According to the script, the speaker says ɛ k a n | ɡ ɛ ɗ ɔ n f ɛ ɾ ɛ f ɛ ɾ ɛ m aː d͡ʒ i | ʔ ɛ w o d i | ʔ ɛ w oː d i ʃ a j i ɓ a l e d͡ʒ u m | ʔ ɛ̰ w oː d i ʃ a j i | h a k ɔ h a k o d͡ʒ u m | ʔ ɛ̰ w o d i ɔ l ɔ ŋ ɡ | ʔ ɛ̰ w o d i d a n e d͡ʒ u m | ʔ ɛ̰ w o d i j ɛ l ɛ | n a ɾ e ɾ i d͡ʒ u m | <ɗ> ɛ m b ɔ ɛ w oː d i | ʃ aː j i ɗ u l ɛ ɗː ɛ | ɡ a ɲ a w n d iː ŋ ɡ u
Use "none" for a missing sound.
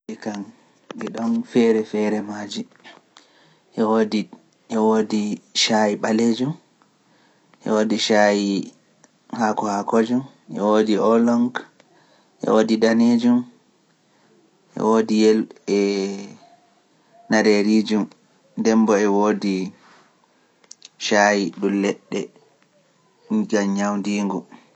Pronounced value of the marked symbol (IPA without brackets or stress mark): d